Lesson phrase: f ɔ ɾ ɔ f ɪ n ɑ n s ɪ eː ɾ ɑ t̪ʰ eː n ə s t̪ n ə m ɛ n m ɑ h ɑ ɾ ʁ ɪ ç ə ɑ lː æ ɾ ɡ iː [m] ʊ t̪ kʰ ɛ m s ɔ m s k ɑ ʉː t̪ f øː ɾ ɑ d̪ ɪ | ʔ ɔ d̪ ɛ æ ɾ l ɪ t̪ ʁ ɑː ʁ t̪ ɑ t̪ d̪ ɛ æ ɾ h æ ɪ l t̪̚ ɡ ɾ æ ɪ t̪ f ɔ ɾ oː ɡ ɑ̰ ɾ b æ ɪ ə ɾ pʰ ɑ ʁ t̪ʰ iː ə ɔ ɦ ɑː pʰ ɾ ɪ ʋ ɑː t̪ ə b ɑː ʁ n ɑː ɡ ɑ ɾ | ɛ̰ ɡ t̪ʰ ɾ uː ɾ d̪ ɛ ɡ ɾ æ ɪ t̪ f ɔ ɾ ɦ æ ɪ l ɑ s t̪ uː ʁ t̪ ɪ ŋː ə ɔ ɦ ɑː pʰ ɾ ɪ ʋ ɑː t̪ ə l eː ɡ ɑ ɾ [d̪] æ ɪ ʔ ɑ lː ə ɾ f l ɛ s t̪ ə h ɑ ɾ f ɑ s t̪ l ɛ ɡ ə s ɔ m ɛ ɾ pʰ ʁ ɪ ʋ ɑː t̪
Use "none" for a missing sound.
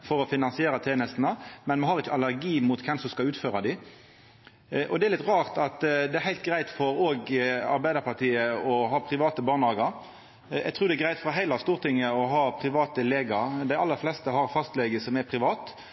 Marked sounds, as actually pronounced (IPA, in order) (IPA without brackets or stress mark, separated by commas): m, d̪